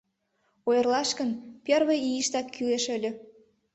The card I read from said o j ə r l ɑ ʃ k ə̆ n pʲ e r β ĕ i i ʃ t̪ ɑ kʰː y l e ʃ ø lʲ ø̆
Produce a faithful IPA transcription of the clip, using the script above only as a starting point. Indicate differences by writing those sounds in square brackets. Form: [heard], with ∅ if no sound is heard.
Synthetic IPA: o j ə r l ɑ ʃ k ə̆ n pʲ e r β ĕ i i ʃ t̪ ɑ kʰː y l e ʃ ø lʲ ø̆